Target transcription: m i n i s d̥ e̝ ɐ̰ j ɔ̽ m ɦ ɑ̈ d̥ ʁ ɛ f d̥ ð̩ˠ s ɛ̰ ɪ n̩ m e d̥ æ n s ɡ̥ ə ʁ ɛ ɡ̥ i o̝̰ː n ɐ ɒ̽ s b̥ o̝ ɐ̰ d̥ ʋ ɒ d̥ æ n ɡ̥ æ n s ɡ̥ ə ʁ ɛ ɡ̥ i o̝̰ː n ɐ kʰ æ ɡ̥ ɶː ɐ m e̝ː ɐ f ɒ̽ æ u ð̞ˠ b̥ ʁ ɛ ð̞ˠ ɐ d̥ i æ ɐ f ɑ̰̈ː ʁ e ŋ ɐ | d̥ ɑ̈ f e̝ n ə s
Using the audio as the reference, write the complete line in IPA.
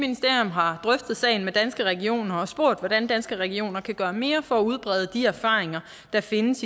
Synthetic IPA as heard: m i n i s d̥ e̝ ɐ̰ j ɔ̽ m ɦ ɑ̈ d̥ ʁ œ f d̥ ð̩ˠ s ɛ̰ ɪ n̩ m e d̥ æ n s ɡ̥ ə ʁ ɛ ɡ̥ i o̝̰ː n ɐ ɒ̽ s b̥ o̝ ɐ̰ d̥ ʋ ɒ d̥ æ n d̥ æ n s ɡ̥ ə ʁ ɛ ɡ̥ i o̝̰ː n ɐ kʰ æ ɡ̥ ɶː ɐ m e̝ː ɐ f ɒ̽ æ u ð̞ˠ b̥ ʁ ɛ ð̞ˠ ə d̥ i æ ɐ f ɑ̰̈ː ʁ e ŋ ɐ | d̥ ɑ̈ f e̝ n ə s